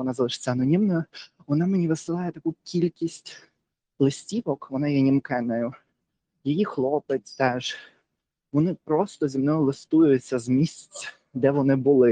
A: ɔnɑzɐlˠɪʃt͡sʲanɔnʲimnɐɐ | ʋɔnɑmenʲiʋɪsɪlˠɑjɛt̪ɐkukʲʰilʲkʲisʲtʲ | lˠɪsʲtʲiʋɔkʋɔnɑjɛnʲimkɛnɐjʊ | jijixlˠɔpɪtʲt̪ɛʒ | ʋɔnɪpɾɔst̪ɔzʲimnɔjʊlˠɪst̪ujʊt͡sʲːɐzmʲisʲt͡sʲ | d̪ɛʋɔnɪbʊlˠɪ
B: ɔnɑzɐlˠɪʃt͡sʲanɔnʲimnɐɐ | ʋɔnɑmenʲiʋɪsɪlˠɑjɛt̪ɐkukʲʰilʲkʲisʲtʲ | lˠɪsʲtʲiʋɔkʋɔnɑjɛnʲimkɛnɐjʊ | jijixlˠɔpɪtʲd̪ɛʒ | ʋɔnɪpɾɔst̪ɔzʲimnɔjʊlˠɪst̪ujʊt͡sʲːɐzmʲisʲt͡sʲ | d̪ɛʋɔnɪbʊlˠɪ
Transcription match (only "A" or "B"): A